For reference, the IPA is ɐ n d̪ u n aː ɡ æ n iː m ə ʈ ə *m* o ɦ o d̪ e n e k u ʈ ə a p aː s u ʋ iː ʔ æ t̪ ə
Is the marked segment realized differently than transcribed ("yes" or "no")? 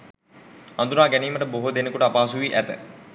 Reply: yes